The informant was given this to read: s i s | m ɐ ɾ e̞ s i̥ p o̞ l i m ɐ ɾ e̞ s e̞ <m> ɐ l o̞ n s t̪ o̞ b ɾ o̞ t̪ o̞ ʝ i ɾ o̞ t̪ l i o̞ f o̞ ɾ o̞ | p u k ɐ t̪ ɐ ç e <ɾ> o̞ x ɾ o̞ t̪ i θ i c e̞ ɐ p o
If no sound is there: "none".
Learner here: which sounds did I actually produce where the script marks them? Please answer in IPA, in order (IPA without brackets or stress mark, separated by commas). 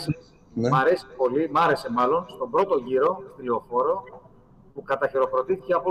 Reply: m, ɾ